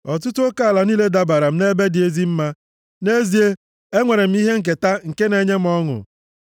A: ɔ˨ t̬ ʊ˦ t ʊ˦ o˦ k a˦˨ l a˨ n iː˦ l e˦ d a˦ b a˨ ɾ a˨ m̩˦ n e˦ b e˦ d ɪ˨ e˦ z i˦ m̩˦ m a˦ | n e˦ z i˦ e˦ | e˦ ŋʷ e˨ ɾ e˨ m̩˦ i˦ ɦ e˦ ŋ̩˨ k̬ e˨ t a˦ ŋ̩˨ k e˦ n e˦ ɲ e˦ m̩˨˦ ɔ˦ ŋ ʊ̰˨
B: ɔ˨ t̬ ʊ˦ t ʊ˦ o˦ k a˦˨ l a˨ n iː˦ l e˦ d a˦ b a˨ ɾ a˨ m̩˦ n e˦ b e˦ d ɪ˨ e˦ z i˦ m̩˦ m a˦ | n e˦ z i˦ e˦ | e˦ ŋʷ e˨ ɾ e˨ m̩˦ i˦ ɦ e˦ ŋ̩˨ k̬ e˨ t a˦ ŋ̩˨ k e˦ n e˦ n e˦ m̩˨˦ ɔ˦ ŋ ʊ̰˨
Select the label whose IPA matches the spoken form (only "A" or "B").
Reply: A